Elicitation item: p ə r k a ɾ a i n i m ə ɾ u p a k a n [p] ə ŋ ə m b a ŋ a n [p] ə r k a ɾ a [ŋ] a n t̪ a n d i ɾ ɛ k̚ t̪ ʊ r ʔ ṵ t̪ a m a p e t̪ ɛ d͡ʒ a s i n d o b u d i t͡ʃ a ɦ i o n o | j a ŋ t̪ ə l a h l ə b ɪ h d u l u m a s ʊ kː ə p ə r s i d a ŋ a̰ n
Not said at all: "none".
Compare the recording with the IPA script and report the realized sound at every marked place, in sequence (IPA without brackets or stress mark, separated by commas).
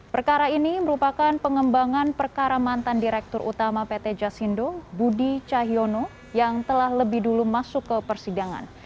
p, p, m